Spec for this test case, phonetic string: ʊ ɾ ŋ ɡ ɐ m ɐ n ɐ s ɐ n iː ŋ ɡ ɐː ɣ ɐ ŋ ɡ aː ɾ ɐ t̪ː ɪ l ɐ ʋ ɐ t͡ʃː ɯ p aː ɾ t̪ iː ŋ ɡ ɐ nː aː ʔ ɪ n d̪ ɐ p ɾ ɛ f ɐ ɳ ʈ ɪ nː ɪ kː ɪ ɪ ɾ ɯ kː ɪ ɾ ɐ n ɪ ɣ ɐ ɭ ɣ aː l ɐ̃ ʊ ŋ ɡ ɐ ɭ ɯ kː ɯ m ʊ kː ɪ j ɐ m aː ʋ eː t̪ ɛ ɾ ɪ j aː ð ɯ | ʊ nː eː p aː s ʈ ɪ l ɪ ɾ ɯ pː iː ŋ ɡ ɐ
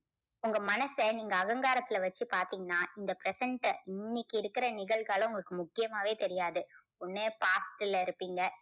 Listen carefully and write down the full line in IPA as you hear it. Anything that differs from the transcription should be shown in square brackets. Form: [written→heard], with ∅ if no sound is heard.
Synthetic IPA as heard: ʊ [ɾ→∅] ŋ ɡ ɐ m ɐ n ɐ s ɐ n iː ŋ ɡ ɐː ɣ ɐ ŋ ɡ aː ɾ ɐ t̪ː ɪ l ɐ ʋ ɐ t͡ʃː ɯ p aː ɾ t̪ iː ŋ ɡ ɐ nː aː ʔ ɪ n d̪ ɐ p ɾ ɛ [f→s] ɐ ɳ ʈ ɪ nː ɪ kː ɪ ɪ ɾ ɯ kː ɪ ɾ ɐ n ɪ ɣ ɐ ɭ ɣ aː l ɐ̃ ʊ ŋ ɡ ɐ ɭ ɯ kː ɯ m ʊ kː ɪ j ɐ m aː ʋ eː t̪ ɛ ɾ ɪ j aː ð ɯ | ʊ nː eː p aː s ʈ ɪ l ɪ ɾ ɯ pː iː ŋ ɡ ɐ

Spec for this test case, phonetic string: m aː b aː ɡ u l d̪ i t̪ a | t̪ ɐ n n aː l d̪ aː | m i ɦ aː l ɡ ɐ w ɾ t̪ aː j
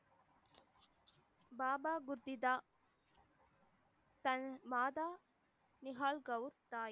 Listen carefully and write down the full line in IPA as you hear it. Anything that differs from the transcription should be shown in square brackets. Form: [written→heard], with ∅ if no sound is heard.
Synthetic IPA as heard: [m→b] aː b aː ɡ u [l→ɾ] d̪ i [t̪→d̪] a | t̪ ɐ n [n→m] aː [l→∅] d̪ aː | [m→n] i ɦ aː l ɡ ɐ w ɾ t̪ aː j

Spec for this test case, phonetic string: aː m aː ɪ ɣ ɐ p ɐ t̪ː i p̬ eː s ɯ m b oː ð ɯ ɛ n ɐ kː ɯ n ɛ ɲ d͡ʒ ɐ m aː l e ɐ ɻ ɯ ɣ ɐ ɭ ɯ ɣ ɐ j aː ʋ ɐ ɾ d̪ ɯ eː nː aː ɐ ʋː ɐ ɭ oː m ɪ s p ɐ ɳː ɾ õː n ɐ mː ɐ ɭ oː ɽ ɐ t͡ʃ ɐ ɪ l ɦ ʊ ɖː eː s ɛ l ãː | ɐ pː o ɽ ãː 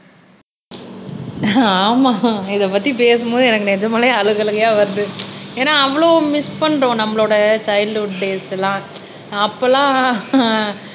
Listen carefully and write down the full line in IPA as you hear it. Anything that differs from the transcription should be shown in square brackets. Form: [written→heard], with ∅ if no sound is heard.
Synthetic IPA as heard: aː m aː ɪ [ɣ→ð] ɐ p ɐ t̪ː i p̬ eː s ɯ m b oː ð ɯ ɛ n ɐ kː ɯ n ɛ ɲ d͡ʒ ɐ m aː l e ɐ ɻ ɯ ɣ ɐ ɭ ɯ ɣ ɐ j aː ʋ ɐ ɾ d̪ ɯ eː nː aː ɐ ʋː ɐ ɭ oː m ɪ s p ɐ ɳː ɾ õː n ɐ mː ɐ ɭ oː ɽ ɐ t͡ʃ ɐ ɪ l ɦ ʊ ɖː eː s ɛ l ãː | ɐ pː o [ɽ→l] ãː

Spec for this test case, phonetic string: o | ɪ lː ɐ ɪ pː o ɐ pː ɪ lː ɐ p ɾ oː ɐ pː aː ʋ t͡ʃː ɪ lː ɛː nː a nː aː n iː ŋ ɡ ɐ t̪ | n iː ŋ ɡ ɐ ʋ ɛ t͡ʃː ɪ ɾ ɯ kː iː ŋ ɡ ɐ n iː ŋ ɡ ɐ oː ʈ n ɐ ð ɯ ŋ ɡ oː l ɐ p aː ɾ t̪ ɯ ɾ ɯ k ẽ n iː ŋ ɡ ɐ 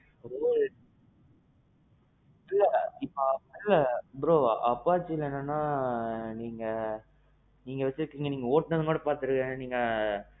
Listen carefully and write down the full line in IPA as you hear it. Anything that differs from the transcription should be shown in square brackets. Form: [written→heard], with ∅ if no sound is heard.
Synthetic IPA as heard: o | ɪ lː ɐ ɪ pː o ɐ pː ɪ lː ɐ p ɾ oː ɐ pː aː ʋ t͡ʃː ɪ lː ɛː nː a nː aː n iː ŋ ɡ ɐ [t̪→∅] | n iː ŋ ɡ ɐ ʋ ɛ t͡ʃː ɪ ɾ ɯ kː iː ŋ ɡ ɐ n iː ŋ ɡ ɐ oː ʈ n ɐ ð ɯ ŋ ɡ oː [l→ɽ] ɐ p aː ɾ t̪ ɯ ɾ ɯ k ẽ n iː ŋ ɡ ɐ

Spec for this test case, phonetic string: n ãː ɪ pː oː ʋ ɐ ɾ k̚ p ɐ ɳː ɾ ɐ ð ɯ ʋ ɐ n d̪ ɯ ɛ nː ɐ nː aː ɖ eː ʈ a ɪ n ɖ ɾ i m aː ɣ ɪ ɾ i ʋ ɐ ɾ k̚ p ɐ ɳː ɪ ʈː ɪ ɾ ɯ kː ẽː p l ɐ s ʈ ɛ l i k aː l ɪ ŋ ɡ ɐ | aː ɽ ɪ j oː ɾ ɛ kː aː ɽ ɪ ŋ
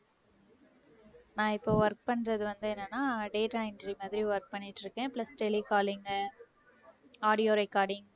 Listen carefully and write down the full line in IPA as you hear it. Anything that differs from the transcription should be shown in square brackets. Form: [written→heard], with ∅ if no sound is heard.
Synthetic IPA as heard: n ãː ɪ pː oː ʋ ɐ ɾ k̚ p ɐ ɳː ɾ ɐ ð ɯ ʋ ɐ n d̪ ɯ ɛ nː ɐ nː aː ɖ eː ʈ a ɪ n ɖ ɾ i m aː [ɣ→ð] ɪ ɾ i ʋ ɐ ɾ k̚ p ɐ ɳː ɪ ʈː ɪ ɾ ɯ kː ẽː p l ɐ s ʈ ɛ l i k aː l ɪ ŋ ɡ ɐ | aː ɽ ɪ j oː ɾ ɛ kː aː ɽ ɪ ŋ

